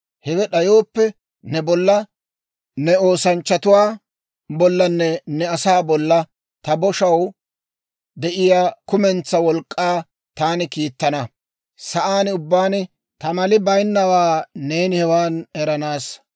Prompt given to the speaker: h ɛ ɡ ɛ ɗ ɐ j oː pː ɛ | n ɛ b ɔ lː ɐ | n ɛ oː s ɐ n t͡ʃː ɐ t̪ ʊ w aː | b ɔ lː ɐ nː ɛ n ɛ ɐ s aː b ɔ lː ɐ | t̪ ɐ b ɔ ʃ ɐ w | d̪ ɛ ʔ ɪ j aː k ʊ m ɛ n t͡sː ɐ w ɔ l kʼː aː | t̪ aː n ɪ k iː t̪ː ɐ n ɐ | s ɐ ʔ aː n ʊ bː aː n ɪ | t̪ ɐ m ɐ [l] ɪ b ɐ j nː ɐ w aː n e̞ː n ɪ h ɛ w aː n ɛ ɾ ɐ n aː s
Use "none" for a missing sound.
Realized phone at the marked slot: l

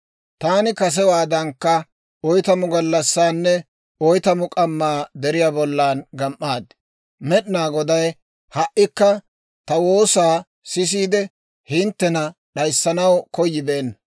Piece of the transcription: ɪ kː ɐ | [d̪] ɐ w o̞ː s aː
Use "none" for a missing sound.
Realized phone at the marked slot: t̪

